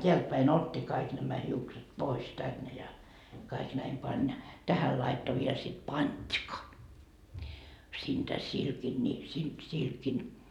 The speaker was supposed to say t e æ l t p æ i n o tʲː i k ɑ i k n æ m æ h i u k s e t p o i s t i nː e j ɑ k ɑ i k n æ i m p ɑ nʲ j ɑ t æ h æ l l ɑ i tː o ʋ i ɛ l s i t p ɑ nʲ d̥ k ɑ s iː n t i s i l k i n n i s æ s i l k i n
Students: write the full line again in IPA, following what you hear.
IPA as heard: t e æ l t p æ i n o tʲː i k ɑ i k n æ m æ h i u k s e t p o i s t æ nː e j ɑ k ɑ i k n æ i m p ɑ nʲ j ɑ t æ h æ l l ɑ i tː o ʋ i e l s i t p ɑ nʲ d̥ k ɑ s iː n t æ s i l k i n n i s i s i l k i n